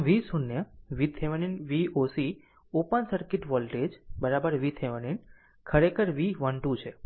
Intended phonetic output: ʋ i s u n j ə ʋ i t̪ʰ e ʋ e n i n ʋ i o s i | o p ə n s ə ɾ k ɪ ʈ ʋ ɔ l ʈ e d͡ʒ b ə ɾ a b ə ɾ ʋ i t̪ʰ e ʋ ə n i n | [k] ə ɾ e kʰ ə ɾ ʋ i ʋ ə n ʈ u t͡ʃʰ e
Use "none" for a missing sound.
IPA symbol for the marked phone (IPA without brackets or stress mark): kʰ